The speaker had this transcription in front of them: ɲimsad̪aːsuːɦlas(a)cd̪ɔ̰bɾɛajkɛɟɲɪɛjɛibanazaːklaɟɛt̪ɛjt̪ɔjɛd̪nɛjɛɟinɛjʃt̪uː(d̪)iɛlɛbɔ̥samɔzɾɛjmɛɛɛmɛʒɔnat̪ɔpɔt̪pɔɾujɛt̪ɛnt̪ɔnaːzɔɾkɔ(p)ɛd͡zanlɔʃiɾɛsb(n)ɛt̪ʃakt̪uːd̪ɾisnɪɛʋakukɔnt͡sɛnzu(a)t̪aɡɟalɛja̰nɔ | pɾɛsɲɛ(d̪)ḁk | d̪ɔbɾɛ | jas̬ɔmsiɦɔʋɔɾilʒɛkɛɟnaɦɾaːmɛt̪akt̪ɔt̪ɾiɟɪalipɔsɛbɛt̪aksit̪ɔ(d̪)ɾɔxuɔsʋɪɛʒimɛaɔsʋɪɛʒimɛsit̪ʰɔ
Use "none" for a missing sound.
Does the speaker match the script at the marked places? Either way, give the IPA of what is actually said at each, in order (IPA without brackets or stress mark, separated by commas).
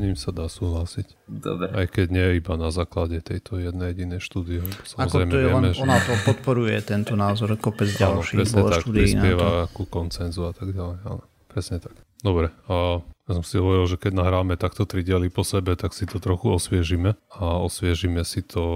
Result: i, d̪, p, ɲ, a, t̪, t̪